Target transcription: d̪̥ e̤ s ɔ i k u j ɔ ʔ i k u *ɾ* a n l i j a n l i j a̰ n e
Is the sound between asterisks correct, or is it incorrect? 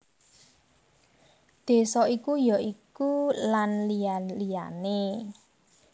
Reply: incorrect